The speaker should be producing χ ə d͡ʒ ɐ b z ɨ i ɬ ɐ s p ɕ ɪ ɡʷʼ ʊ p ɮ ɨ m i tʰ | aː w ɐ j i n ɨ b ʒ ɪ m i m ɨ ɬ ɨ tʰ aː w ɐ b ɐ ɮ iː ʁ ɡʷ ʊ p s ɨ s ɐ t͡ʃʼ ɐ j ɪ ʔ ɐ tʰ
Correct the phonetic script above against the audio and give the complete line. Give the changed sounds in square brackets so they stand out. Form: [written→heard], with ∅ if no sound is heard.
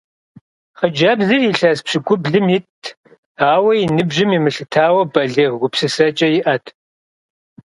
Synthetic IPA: χ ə d͡ʒ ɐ b z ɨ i ɬ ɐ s p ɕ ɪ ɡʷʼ ʊ [p→b] ɮ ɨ m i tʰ | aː w ɐ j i n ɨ b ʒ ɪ m i m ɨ ɬ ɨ tʰ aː w ɐ b ɐ ɮ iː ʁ ɡʷ ʊ p s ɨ s ɐ t͡ʃʼ ɐ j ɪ ʔ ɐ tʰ